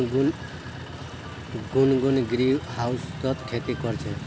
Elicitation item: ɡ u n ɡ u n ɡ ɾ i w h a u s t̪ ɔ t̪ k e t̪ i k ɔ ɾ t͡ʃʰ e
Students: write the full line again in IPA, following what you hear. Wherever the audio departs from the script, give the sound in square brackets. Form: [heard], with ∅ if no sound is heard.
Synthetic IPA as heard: ɡ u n ɡ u n ɡ ɾ i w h a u s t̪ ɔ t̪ [kʰ] e t̪ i k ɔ ɾ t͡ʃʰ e